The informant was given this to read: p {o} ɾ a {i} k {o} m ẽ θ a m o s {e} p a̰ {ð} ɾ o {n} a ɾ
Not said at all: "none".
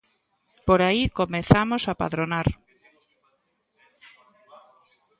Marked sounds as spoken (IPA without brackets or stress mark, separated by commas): o, i, o, a, ð, n